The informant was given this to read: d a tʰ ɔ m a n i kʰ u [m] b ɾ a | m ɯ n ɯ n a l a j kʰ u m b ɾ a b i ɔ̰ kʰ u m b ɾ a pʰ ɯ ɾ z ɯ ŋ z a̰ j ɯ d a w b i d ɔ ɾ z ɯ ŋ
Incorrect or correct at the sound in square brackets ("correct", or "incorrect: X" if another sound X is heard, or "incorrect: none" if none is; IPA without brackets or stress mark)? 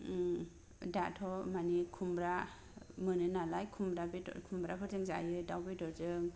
correct